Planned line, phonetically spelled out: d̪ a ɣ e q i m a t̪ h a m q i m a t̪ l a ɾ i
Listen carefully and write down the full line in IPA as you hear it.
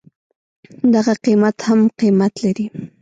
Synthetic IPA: d̪ a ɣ a q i m a t̪ h a m q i m a t̪ l a ɾ i